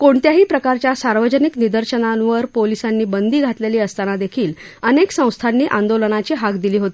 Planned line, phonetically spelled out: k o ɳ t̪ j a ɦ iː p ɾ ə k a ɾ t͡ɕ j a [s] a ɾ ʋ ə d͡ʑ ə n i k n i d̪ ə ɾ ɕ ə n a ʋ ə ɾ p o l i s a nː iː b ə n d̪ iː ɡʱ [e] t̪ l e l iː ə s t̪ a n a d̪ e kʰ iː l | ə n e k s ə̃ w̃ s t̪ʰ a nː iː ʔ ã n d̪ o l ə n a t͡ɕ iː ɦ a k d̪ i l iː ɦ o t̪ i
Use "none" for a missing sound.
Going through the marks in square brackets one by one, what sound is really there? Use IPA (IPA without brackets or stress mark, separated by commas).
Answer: s, a